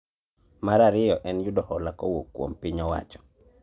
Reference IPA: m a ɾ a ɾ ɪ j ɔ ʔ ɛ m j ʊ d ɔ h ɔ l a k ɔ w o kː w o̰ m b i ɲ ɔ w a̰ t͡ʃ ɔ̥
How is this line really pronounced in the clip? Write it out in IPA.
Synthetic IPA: m a ɾ a ɾ ɪ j ɔ ʔ ɛ n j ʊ d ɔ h ɔ l a k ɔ w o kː w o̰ m p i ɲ ɔ w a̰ t͡ʃ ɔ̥